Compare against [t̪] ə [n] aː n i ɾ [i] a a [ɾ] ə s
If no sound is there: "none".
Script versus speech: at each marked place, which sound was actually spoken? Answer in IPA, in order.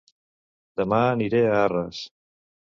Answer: d̪, m, e, r

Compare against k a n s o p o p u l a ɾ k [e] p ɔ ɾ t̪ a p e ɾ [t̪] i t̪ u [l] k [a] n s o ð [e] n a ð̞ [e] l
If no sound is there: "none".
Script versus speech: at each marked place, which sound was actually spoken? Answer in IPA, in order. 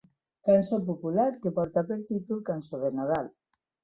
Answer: e, t̪, l, a, e, a

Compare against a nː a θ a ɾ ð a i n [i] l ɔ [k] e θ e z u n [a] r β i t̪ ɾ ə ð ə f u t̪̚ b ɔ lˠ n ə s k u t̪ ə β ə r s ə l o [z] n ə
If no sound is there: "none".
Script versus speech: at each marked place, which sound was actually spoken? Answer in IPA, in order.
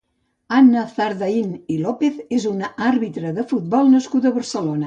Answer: i, p, a, none

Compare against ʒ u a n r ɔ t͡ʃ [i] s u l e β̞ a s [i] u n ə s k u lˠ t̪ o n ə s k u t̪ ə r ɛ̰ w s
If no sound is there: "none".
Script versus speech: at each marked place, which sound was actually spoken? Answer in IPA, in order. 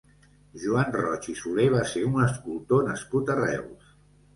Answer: i, e

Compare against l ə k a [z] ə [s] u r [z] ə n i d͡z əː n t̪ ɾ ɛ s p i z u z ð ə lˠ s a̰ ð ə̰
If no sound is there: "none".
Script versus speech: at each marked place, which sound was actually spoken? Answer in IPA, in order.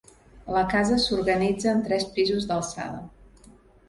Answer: z, s, ɣ

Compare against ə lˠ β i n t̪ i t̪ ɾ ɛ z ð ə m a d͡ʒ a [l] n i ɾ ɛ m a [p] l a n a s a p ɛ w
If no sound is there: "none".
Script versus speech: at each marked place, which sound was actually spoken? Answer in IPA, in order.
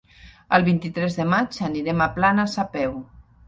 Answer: none, p

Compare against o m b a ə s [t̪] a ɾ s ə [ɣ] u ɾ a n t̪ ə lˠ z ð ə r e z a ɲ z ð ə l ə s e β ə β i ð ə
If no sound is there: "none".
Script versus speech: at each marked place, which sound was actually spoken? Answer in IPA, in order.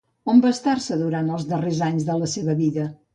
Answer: t̪, ð

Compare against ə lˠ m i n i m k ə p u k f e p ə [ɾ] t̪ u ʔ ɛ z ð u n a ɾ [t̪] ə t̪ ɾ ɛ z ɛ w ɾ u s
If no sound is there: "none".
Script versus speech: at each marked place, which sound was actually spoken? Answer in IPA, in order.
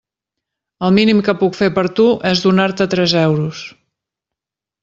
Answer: ɾ, t̪

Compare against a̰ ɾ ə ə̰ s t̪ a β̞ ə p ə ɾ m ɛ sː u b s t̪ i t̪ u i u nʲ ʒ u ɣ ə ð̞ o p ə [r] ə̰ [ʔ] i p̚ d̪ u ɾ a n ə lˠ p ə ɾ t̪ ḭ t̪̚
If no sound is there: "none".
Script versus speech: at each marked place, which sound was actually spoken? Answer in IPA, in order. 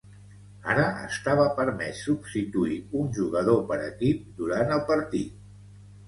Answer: ɾ, k

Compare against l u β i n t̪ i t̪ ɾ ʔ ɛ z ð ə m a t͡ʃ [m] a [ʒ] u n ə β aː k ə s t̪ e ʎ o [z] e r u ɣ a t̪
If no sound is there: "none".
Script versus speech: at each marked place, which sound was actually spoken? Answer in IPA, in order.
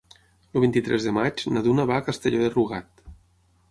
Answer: n, ð, ð

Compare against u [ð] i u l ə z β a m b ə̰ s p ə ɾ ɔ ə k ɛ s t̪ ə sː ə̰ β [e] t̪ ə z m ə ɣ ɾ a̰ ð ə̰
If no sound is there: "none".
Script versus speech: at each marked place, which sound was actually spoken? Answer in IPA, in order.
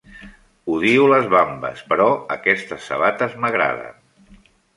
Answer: ð, a

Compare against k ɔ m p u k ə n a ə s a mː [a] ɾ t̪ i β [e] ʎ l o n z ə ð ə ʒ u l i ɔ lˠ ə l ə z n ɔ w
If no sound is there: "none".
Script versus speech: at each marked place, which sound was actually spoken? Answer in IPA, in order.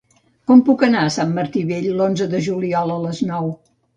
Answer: ə, e

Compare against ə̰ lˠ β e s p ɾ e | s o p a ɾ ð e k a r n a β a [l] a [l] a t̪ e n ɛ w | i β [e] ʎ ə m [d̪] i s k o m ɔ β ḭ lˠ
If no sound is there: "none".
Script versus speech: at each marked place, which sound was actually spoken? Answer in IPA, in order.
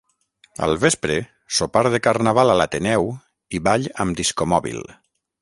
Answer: l, l, a, d̪

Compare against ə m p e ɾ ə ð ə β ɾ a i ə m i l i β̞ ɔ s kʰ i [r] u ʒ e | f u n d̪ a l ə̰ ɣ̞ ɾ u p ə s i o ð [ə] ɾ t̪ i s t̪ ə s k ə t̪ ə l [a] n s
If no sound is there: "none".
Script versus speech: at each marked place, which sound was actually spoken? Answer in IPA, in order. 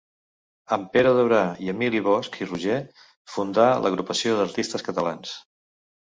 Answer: r, ə, a

